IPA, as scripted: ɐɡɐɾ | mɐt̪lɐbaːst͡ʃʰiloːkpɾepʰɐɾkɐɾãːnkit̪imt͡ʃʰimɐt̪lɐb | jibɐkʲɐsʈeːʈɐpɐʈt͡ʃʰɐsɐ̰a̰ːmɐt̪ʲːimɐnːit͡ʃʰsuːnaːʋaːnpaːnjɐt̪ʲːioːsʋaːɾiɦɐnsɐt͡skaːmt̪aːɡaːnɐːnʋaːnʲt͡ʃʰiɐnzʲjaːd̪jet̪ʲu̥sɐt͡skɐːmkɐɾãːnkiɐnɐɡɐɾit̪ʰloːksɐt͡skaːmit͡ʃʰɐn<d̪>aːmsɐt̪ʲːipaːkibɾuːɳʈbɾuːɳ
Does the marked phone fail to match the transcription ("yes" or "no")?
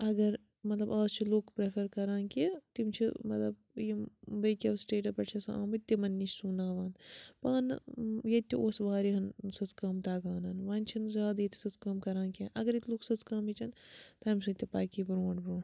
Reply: yes